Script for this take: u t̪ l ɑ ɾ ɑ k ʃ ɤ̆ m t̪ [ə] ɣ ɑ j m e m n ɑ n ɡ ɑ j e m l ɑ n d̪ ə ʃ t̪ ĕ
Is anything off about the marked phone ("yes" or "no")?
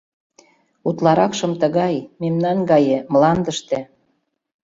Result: no